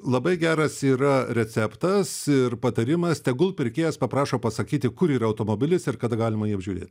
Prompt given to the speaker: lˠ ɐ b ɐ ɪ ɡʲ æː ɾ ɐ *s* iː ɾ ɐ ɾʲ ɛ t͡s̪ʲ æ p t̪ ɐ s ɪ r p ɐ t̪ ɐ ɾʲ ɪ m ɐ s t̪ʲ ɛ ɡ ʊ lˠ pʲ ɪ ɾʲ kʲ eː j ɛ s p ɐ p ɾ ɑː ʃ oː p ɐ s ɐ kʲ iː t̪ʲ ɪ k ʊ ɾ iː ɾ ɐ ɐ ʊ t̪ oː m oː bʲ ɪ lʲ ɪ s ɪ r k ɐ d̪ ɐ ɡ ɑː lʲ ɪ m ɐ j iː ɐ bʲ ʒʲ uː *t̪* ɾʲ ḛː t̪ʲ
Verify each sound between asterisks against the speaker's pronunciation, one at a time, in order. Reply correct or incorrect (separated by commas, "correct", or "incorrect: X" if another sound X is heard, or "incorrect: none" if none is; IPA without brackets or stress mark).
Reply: correct, incorrect: none